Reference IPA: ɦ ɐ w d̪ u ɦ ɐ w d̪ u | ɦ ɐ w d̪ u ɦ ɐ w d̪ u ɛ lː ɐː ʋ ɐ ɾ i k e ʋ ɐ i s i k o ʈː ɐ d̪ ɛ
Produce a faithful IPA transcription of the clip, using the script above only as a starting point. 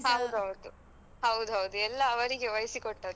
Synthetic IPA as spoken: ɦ ɐ w d̪ u ɦ ɐ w d̪ u | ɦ ɐ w d̪ u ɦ ɐ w d̪ u ɛ lː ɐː ʋ ɐ ɾ i ɡ e ʋ ɐ j s i k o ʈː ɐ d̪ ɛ

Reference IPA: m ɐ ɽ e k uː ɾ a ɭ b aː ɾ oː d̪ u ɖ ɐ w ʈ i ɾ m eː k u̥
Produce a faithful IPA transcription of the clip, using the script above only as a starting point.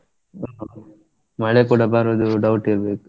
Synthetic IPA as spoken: m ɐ ɭ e k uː ɽ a b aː ɾ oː d̪ u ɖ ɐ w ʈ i ɾ b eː k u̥

